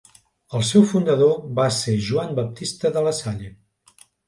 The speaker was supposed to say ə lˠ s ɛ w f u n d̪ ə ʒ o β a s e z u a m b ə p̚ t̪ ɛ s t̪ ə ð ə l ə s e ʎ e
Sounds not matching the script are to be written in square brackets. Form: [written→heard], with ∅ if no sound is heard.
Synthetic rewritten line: ə lˠ s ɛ w f u n d̪ ə [ʒ→ð] o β a s e [z→ʒ] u a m b ə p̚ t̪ [ɛ→i] s t̪ ə ð ə l ə s [e→a] ʎ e